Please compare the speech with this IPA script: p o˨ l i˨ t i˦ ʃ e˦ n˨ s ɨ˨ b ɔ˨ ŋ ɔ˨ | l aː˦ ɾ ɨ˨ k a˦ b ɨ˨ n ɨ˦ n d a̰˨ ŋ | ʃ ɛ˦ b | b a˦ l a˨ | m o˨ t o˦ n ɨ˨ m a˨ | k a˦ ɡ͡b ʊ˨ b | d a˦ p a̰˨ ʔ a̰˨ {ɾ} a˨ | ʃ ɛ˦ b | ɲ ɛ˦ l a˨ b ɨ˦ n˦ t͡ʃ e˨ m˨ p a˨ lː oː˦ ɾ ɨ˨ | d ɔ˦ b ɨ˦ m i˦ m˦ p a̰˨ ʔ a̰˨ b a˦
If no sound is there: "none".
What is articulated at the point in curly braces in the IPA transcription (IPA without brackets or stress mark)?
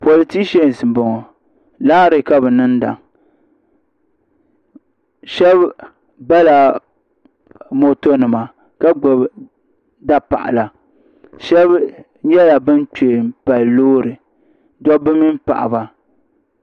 l